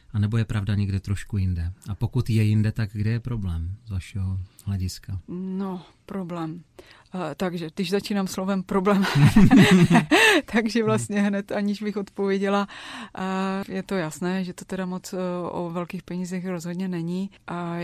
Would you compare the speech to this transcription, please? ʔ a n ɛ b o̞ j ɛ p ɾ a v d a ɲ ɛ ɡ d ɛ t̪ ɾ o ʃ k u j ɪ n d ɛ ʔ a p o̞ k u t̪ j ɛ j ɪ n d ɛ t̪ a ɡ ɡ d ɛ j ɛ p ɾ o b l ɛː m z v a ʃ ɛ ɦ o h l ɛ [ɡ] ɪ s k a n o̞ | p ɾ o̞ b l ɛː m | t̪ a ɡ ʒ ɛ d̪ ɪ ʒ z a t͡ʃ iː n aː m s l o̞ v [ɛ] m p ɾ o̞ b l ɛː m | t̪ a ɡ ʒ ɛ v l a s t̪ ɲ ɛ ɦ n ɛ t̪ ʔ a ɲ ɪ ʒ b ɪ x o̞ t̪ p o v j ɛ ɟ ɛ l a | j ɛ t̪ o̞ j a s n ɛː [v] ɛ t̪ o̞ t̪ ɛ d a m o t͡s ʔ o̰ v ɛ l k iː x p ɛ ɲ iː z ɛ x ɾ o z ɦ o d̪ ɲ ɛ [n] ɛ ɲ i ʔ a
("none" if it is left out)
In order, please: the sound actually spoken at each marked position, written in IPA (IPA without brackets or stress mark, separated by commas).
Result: ɟ, ɛ, ʒ, n